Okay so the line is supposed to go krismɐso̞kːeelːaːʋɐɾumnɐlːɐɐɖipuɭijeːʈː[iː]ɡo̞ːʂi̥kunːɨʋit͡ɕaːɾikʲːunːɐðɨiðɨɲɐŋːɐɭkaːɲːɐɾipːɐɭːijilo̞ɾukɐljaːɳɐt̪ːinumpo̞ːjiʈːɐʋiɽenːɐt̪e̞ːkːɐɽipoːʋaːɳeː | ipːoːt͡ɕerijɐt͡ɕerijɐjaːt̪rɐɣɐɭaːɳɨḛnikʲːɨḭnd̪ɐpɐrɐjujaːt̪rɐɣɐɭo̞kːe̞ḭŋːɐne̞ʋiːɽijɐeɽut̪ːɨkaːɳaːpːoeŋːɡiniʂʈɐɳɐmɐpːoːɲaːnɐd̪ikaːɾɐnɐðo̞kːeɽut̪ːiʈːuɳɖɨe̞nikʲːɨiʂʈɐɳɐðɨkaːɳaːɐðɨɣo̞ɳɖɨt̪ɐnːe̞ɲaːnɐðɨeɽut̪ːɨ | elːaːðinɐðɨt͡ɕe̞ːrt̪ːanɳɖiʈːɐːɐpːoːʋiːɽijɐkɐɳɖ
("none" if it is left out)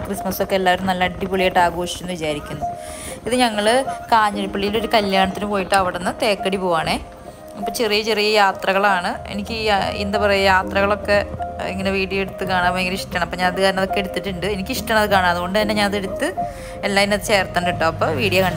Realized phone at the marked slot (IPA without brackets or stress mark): aː